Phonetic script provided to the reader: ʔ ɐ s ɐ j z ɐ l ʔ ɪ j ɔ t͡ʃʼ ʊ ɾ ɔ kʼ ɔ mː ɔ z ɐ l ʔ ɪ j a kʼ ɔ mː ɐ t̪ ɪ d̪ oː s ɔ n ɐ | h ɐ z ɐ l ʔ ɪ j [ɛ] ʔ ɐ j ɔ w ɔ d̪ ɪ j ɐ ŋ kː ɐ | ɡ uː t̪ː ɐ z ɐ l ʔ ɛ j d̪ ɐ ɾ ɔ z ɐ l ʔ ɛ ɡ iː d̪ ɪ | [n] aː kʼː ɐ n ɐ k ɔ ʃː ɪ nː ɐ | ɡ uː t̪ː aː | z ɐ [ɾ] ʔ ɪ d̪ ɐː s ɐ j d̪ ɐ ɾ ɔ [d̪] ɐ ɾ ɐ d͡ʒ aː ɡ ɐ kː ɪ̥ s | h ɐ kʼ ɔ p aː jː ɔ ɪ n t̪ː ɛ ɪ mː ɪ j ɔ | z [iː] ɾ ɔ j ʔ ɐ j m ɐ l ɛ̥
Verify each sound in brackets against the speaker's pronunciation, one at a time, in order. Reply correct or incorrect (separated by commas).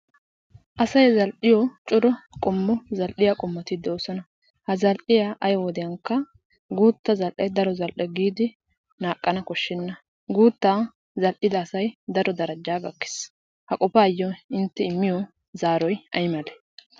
incorrect, correct, incorrect, correct, incorrect